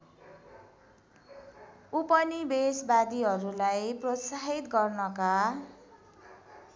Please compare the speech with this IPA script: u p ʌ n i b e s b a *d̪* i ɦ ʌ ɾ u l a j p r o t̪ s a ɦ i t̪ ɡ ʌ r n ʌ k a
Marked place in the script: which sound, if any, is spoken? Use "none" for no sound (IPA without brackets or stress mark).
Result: d̪